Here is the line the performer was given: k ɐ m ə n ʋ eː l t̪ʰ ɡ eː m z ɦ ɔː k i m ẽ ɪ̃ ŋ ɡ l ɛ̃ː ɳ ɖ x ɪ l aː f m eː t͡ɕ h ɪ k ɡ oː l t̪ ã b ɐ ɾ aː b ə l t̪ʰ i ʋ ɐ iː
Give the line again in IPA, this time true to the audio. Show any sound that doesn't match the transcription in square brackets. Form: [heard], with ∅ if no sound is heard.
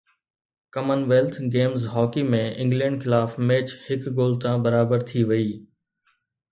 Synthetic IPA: k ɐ m ə n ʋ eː l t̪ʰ ɡ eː m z ɦ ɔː k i m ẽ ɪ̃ ŋ ɡ l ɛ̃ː ɳ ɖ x ɪ l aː f m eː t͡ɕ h ɪ k ɡ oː l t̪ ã b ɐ ɾ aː b ə [ɾ] t̪ʰ i ʋ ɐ iː

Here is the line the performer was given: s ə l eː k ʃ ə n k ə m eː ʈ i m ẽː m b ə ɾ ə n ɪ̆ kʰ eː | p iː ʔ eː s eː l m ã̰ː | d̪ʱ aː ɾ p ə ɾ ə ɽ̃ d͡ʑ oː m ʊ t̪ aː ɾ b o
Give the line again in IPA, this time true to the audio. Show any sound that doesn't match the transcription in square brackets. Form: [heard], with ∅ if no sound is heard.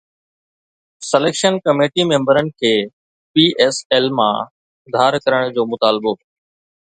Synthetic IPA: s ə l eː k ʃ ə n k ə m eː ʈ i m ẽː m b ə ɾ ə n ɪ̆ kʰ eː | p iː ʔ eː s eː l m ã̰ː | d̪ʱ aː ɾ [k] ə ɾ ə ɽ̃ d͡ʑ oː m ʊ t̪ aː [l] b o

